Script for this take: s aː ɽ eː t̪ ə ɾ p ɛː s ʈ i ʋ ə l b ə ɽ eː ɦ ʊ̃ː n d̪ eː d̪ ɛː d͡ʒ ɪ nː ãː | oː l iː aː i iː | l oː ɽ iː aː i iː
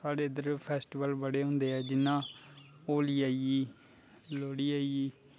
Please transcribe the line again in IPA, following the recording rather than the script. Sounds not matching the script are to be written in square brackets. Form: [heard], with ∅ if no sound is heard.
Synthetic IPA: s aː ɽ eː [d̪] ə ɾ [pʰ] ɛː s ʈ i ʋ ə l b ə ɽ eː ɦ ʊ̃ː n d̪ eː [∅] ɛː d͡ʒ ɪ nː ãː | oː l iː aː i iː | l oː ɽ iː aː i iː